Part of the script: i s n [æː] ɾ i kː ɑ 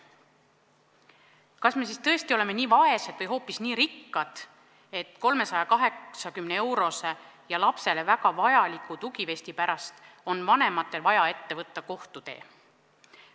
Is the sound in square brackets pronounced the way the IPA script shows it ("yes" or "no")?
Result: no